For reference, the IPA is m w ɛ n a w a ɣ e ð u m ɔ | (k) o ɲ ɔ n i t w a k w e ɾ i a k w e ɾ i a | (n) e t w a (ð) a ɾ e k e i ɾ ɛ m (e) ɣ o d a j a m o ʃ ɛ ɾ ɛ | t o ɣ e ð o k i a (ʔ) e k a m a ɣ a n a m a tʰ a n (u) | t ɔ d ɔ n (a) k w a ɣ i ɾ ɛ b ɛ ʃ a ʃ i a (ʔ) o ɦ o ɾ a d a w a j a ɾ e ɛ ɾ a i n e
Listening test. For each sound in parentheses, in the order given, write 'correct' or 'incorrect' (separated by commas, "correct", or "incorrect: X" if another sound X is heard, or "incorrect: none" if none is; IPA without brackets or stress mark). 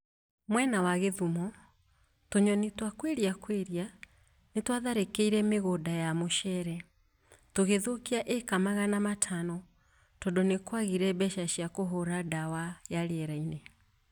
incorrect: t, correct, correct, correct, correct, incorrect: ɔ, incorrect: e, incorrect: k